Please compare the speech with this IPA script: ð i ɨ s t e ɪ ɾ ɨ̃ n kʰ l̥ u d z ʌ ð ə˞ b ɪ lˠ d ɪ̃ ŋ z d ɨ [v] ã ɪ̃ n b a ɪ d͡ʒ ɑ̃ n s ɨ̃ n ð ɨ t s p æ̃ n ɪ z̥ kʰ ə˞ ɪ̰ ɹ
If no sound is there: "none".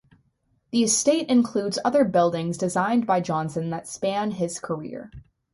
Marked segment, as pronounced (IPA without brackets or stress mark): z